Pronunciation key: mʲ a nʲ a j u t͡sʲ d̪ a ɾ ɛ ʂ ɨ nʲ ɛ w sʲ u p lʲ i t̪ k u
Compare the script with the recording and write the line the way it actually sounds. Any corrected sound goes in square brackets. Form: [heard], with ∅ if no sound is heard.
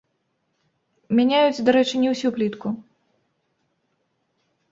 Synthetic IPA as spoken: mʲ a nʲ a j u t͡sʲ d̪ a ɾ ɛ [t͡ʂ] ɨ nʲ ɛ w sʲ u p lʲ i t̪ k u